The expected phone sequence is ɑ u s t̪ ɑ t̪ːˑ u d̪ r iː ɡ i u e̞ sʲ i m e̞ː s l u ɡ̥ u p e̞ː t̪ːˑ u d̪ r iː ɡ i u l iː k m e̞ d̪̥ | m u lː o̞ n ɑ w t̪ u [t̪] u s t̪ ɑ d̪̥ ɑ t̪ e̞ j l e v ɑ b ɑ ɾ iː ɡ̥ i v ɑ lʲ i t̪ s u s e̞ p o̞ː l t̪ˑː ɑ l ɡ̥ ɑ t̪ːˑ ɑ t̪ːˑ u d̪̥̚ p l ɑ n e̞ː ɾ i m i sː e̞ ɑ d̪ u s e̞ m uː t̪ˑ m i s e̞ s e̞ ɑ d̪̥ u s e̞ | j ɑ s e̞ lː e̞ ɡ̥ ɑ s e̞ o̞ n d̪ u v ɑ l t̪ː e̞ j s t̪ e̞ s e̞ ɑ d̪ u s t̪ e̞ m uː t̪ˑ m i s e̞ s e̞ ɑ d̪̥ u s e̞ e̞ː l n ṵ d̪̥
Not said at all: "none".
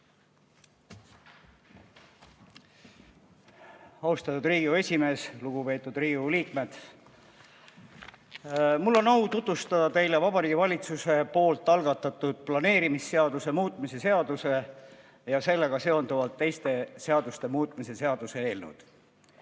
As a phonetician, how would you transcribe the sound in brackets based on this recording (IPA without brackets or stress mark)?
t̪